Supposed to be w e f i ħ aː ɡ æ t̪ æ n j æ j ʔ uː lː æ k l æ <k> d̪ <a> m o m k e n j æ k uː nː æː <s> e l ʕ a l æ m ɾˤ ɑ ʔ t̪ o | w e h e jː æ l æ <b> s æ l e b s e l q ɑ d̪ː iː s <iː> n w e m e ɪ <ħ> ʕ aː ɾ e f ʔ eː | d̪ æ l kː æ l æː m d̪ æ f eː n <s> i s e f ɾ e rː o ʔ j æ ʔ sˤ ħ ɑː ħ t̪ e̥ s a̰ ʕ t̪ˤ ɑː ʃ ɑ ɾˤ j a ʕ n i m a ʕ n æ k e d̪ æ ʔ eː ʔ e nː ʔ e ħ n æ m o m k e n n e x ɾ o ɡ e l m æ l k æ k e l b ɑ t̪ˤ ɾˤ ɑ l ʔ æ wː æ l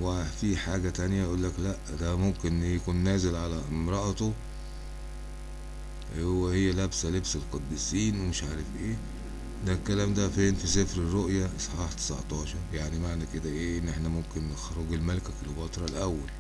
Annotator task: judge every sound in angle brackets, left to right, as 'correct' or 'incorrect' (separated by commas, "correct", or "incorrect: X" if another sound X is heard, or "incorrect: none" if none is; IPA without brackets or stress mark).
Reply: incorrect: ʔ, incorrect: æ, incorrect: z, correct, correct, incorrect: ʃ, incorrect: f